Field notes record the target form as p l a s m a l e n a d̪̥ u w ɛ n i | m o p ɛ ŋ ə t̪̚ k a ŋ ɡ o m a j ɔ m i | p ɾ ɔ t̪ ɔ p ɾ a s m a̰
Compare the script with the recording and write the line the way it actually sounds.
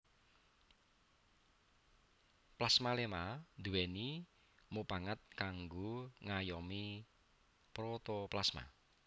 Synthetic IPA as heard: p l a s m a l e m a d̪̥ u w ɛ n i | m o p a ŋ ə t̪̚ k a ŋ ɡ o ŋ a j ɔ m i | p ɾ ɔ t̪ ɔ p l a s m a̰

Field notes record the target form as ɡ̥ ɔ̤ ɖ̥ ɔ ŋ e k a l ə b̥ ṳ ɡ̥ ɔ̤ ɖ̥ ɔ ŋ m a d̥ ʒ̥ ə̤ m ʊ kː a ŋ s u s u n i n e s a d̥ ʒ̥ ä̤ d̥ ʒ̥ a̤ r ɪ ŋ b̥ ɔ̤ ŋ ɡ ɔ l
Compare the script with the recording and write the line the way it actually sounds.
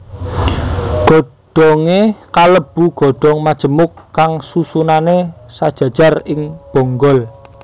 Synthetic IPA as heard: ɡ̥ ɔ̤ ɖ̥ ɔ ŋ e k a l ə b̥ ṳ ɡ̥ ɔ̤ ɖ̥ ɔ ŋ m a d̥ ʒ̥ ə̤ m ʊ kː a ŋ s u s u n a n e s a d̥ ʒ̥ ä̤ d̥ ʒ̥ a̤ r ɪ ŋ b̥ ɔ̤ ŋ ɡ ɔ l

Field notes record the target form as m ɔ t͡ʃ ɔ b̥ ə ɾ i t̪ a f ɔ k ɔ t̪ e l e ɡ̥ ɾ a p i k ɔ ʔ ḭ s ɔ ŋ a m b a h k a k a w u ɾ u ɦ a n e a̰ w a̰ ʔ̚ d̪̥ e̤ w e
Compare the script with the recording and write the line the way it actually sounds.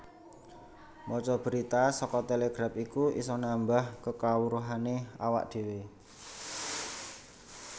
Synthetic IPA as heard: m ɔ t͡ʃ ɔ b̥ ə ɾ i t̪ a s ɔ k ɔ t̪ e l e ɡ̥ ɾ a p i k u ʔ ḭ s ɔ n a m b a h k ə k a w u ɾ u ɦ a n e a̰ w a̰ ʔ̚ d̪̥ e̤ w e

